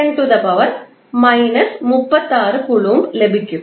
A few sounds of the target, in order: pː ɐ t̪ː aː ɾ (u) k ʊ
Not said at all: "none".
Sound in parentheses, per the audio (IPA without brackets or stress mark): ɯ